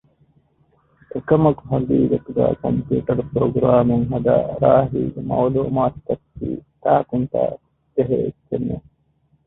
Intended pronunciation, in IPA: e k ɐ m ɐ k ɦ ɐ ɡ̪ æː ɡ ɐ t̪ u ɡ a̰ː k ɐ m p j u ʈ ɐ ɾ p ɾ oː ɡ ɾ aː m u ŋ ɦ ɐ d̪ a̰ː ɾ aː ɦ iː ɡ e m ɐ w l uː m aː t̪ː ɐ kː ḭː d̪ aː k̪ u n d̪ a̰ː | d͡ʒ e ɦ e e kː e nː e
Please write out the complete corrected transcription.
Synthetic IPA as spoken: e k ɐ m ɐ k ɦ ɐ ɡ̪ iː ɡ ɐ t̪ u ɡ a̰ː k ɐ m p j uː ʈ ɐ ɾ p ɾ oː ɡ ɾ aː m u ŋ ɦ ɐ d̪ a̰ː ɾ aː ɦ iː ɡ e m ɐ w l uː m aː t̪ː ɐ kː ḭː t̪ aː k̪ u n t̪ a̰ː | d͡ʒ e ɦ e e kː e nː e